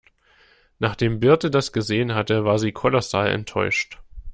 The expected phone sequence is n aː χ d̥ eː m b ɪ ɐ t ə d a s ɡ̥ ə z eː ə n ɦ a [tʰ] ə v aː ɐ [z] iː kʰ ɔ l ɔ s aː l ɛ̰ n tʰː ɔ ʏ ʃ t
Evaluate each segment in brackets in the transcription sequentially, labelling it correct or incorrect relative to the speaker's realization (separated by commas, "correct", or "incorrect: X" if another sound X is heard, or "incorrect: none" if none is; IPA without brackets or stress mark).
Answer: incorrect: t, correct